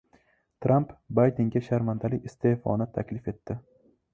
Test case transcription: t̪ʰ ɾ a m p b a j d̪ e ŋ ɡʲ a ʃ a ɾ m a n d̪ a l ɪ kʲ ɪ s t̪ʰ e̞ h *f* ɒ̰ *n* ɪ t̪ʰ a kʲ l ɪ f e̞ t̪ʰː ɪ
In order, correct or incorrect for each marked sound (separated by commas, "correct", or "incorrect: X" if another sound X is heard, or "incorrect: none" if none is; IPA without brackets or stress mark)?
correct, correct